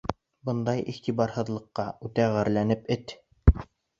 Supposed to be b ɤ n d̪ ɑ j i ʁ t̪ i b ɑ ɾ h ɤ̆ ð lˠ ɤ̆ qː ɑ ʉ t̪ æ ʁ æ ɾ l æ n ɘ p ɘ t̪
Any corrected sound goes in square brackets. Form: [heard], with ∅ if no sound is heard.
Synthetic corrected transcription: b ɤ n d̪ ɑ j i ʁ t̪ i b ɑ ɾ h ɤ̆ ð lˠ ɤ̆ qː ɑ ʉ t̪ æ ʁ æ ɾ l æ n ɘ p ɘ t̪